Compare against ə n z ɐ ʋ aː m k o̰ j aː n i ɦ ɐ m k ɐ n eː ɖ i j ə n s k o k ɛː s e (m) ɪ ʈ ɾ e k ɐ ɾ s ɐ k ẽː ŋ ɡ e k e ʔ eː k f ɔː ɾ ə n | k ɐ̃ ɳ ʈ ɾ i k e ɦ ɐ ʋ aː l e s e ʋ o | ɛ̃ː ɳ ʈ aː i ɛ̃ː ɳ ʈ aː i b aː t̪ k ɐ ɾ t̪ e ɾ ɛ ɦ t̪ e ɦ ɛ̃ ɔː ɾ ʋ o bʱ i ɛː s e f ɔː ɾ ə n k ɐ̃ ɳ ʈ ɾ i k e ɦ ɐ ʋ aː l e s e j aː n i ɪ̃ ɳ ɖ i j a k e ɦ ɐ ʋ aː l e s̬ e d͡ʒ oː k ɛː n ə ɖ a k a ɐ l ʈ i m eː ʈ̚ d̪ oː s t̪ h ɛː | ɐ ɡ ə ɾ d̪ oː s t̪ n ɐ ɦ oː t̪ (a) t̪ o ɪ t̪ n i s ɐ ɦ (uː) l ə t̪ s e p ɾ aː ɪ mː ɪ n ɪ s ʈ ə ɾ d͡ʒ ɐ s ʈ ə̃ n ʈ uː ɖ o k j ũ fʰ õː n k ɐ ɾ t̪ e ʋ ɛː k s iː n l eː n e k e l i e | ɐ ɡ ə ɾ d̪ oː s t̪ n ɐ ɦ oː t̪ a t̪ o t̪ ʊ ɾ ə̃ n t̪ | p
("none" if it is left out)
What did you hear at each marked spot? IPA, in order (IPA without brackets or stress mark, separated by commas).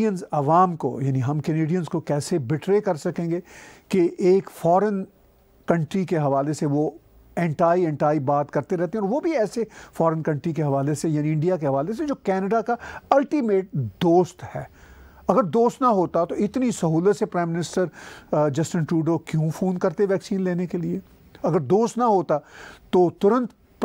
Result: b, a, uː